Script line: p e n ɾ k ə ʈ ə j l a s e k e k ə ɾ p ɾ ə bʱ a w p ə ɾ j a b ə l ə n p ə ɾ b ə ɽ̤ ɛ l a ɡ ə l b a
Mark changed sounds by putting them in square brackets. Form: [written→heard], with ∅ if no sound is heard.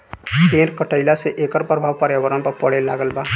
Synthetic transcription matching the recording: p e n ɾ k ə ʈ ə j l a s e [k→ʔ] e k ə ɾ p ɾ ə bʱ a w p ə ɾ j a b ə [l→ɾ] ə n p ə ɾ [b→p] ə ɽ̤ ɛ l a ɡ ə l b a